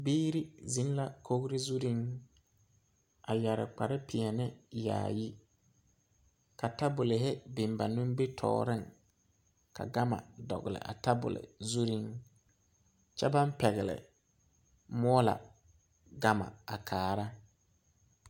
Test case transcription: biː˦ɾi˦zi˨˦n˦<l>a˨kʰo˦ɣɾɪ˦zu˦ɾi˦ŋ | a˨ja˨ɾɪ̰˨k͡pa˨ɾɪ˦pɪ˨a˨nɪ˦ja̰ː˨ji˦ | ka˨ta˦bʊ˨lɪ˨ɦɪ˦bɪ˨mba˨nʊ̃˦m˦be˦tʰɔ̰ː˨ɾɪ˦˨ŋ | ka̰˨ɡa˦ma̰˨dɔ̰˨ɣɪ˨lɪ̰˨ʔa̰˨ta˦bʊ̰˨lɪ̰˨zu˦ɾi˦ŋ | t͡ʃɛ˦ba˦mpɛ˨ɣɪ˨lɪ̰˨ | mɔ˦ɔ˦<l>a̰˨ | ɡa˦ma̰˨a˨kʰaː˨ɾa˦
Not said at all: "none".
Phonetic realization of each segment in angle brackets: l, l

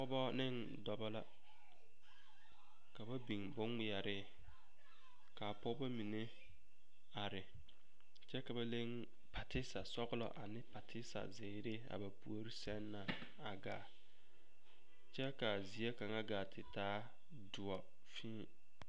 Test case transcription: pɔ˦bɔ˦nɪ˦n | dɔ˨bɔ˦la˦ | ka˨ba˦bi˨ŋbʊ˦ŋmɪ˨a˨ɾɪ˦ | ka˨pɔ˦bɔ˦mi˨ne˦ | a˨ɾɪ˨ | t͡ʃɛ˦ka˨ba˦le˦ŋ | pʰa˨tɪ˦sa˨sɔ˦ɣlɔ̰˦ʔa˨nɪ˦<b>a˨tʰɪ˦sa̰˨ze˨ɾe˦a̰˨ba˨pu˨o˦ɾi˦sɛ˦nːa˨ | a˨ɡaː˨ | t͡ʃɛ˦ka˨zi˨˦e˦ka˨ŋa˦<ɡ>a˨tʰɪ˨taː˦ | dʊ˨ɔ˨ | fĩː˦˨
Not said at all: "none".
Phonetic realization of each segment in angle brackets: p, ɡ

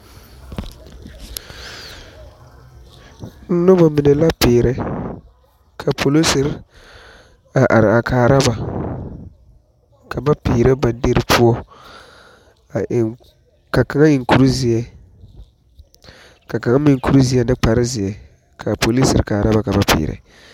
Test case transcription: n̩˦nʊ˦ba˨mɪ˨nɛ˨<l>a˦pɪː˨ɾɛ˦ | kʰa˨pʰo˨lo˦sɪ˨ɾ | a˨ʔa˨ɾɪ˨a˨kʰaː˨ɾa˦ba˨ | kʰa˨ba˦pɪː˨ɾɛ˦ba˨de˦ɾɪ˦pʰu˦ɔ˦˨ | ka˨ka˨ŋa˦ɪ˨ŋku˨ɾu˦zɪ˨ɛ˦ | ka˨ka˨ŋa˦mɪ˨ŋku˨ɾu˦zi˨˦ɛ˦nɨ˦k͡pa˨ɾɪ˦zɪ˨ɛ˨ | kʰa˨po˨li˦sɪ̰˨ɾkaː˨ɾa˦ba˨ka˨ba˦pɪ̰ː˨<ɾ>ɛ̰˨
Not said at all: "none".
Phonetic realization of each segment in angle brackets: l, ɾ

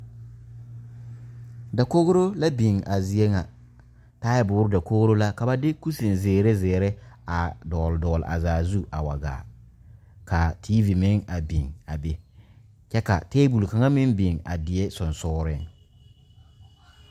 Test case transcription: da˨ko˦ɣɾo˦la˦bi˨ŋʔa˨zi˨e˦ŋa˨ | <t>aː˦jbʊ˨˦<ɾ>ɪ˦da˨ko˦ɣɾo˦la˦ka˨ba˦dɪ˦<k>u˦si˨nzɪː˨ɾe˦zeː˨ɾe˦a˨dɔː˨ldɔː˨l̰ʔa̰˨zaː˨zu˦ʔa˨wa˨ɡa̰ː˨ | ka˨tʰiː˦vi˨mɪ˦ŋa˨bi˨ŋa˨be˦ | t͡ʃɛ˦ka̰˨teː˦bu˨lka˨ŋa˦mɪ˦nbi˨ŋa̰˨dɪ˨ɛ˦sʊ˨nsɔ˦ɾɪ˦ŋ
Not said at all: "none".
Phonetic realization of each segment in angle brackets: t, ɾ, k

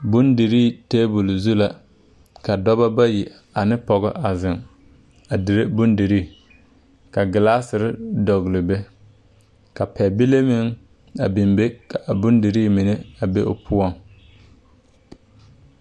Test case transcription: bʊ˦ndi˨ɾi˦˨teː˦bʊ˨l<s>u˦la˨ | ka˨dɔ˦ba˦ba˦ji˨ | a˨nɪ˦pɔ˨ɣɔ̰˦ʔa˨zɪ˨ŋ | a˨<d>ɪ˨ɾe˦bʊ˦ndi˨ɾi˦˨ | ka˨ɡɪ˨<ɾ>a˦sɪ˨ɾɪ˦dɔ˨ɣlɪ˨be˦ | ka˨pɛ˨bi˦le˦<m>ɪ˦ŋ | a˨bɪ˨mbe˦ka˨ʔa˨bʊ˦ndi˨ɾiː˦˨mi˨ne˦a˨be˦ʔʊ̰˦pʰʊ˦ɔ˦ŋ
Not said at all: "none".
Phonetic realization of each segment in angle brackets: z, d, l, m

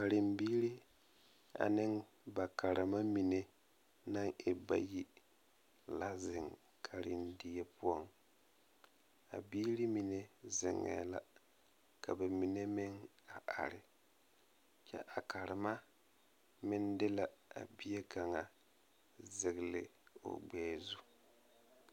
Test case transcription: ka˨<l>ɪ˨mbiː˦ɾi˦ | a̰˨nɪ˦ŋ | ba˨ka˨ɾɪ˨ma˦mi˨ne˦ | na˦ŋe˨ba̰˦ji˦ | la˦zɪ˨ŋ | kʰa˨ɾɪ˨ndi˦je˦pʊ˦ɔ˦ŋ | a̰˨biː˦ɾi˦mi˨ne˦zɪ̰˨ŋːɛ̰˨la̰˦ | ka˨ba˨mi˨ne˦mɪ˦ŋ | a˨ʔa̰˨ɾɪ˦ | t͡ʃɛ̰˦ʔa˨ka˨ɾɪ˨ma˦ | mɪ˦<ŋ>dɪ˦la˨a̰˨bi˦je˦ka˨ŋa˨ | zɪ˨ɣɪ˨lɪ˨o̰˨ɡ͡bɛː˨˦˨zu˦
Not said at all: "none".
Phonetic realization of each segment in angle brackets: ɾ, n

